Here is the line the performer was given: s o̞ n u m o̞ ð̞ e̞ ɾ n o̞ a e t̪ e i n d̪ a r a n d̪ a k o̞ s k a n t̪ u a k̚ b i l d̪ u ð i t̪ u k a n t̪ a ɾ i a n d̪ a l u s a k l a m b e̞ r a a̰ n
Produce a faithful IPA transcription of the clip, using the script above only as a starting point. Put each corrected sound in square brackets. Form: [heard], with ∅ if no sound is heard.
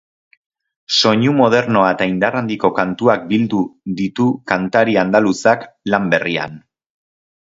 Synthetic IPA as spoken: s o̞ [ɲ] u m o̞ ð̞ e̞ ɾ n o̞ a e t̪ [a] i n d̪ a r a n d̪ [i] k o̞ [∅] k a n t̪ u a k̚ b i l d̪ u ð i t̪ u k a n t̪ a ɾ i a n d̪ a l u s a k l a m b e̞ r [i] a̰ n